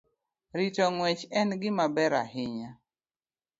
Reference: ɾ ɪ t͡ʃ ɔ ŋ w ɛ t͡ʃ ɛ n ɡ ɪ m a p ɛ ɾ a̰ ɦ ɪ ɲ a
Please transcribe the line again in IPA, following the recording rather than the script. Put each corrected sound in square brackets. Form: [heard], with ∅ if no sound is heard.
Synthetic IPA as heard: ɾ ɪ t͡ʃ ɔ ŋ w ɛ t͡ʃ ɛ n ɡ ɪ m a [b] ɛ ɾ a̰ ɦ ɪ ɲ a